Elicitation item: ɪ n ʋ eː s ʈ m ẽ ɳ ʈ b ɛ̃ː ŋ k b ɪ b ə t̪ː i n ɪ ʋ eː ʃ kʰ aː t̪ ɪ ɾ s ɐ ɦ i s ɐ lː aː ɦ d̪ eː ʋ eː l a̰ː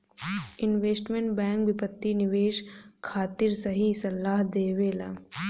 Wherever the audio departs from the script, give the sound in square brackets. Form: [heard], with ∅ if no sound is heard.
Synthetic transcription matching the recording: ɪ n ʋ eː s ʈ m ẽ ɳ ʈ b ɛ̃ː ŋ k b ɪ [p] ə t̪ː i n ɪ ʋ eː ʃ kʰ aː t̪ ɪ ɾ s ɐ ɦ i s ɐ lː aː ɦ d̪ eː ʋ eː l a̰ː